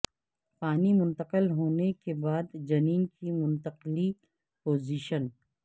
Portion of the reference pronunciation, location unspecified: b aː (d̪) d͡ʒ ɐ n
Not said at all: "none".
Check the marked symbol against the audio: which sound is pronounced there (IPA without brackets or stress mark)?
d̪